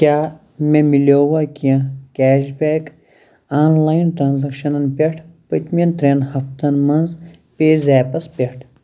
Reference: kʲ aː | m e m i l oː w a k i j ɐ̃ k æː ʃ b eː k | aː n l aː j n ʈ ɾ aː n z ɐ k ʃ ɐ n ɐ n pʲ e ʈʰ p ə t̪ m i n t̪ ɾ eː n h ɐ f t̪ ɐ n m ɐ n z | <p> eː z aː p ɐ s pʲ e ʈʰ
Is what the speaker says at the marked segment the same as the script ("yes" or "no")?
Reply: yes